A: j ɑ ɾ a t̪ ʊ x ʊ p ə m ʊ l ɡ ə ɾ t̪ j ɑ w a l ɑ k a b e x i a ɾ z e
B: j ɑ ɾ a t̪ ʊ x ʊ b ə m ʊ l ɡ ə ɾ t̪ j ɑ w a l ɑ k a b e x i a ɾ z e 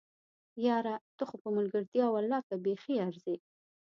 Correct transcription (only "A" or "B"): A